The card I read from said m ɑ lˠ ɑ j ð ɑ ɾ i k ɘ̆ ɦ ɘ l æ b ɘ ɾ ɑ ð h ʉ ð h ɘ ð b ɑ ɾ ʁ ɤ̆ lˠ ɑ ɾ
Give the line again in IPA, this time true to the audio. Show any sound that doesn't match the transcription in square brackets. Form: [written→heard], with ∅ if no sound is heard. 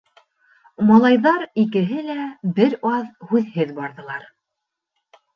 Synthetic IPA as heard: m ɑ lˠ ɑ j ð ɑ ɾ i k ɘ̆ ɦ ɘ l æ b ɘ ɾ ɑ ð h ʉ ð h ɘ ð b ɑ ɾ [ʁ→ð] ɤ̆ lˠ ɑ ɾ